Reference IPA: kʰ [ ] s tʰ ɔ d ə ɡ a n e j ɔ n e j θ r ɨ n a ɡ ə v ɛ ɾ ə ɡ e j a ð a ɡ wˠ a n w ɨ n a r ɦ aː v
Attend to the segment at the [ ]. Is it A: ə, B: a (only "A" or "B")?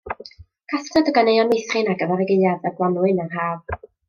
B